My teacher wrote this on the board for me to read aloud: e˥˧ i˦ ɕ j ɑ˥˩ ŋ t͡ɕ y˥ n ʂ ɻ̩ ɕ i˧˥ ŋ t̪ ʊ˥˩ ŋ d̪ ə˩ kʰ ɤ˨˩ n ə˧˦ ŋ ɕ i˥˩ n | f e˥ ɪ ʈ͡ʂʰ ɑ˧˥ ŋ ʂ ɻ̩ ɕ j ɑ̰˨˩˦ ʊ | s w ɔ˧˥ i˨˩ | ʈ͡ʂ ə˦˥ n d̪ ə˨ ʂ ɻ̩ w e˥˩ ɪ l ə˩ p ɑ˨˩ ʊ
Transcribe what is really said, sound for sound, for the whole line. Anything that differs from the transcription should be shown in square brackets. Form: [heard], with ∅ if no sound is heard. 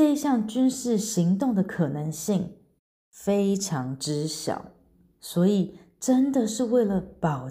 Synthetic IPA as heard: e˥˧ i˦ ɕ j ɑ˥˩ ŋ t͡ɕ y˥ n ʂ ɻ̩ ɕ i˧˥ ŋ t̪ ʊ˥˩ ŋ d̪ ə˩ kʰ ɤ˨˩ n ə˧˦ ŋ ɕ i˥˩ [ŋ] | f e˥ ɪ ʈ͡ʂʰ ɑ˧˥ ŋ [ʈ͡ʂ] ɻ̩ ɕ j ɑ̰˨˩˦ ʊ | s w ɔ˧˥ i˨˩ | ʈ͡ʂ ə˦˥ n d̪ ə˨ ʂ ɻ̩ w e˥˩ ɪ l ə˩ p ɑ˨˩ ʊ